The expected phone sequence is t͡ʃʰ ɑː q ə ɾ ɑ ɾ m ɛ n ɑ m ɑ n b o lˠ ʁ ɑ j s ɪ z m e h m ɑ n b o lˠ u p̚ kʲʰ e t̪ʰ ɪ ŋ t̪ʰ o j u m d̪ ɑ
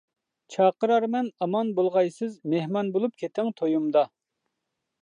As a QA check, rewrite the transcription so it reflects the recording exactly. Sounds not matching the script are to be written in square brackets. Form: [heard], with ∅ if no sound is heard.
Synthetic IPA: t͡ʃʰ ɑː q ə ɾ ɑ ɾ m ɛ n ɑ m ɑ n b o lˠ ʁ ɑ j s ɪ z m e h m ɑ n b o lˠ u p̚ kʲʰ e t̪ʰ ɪ ŋ t̪ʰ o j u m d̪ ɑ